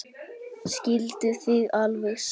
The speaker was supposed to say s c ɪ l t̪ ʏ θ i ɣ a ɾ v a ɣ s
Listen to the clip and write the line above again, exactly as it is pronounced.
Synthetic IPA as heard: s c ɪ l t̪ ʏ θ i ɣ a l v ɛ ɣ s